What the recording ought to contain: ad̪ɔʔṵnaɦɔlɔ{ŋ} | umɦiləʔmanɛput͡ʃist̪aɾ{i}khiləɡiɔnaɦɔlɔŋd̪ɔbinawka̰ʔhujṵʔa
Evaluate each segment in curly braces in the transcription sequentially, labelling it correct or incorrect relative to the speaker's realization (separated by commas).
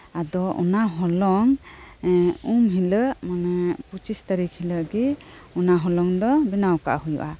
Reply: correct, correct